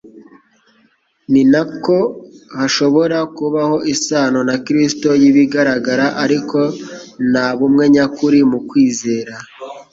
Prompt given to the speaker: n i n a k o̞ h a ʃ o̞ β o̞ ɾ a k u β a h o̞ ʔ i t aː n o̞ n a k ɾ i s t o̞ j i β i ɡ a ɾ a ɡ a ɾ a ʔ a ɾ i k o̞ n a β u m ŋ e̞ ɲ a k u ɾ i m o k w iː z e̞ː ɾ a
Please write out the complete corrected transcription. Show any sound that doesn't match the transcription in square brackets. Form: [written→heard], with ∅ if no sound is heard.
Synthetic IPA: n i n a k o̞ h a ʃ o̞ β o̞ ɾ a k u β a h o̞ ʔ i [t→s] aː n o̞ n a k ɾ i s t o̞ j i β i ɡ a ɾ a ɡ a ɾ a ʔ a ɾ i k o̞ n a β u m ŋ e̞ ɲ a k u ɾ i m [o→u] k w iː z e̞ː ɾ a